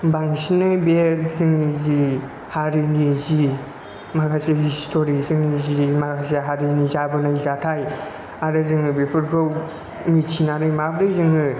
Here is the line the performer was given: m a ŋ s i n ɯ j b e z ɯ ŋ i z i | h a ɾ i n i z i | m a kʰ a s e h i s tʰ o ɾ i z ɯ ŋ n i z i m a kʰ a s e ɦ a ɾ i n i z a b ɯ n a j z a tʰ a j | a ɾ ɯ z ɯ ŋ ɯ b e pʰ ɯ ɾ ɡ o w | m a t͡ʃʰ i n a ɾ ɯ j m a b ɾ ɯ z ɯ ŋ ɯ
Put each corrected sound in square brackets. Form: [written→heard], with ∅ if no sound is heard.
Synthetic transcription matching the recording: [m→b] a ŋ s i n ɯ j b e z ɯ ŋ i z i | h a ɾ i n i z i | m a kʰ a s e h i s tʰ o ɾ i z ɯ ŋ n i z i m a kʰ a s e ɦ a ɾ i n i z a b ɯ n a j z a tʰ a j | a ɾ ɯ z ɯ ŋ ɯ b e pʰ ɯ ɾ ɡ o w | m [a→i] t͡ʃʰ i n a ɾ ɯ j m a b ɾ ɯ z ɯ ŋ ɯ